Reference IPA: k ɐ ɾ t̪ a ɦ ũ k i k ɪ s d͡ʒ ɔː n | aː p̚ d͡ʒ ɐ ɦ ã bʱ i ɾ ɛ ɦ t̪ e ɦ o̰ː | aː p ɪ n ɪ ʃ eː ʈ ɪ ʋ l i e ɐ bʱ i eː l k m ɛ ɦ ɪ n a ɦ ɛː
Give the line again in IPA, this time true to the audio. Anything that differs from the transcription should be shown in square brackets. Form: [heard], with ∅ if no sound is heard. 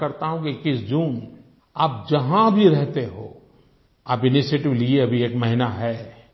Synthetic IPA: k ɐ ɾ t̪ a ɦ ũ k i k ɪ s d͡ʒ [uː] n | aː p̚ d͡ʒ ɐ ɦ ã bʱ i ɾ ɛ ɦ t̪ e ɦ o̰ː | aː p ɪ n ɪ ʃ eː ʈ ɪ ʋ l i e ɐ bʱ i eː [∅] k m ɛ ɦ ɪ n a ɦ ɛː